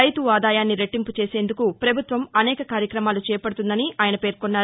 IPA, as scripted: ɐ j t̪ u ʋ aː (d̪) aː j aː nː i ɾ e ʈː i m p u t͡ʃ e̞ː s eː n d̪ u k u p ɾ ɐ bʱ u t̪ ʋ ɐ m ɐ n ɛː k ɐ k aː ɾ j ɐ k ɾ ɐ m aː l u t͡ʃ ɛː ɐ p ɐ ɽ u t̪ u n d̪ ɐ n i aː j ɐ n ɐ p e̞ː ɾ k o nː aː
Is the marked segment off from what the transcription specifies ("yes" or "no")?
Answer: no